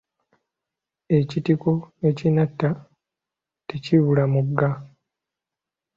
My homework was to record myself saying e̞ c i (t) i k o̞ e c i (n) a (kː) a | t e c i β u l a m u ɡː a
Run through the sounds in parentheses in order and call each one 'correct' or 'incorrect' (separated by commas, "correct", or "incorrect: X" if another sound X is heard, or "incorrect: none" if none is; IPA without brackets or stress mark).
correct, correct, incorrect: tː